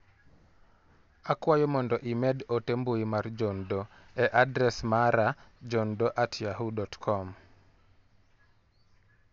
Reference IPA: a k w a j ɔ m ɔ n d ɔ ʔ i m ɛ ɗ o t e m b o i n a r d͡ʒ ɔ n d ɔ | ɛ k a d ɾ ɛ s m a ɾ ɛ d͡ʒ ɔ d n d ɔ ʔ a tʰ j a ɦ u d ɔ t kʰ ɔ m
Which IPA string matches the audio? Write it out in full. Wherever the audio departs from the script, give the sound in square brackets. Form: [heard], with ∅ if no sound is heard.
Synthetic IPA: a k w a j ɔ m ɔ n d ɔ ʔ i m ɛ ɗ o t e m b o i [m] a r d͡ʒ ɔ n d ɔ | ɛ [ʔ] a d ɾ ɛ s m a ɾ [a] d͡ʒ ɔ [∅] n d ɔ ʔ a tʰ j a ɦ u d ɔ t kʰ ɔ m